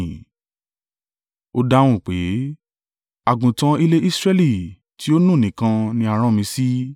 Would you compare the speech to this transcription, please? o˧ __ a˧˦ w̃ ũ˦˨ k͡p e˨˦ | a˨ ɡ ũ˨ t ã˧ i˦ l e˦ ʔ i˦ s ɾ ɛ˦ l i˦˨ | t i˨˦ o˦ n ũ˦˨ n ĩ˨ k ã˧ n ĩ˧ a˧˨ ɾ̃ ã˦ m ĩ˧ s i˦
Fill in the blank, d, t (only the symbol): d